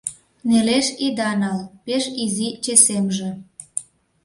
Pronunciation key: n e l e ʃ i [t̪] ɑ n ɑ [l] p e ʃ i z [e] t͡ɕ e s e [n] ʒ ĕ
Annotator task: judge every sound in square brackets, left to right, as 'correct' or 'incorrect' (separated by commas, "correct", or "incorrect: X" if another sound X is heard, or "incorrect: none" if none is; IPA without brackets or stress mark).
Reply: incorrect: d̪, correct, incorrect: i, incorrect: m